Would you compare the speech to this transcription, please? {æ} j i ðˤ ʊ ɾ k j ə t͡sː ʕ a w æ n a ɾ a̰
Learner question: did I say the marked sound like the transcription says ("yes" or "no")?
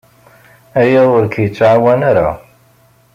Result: yes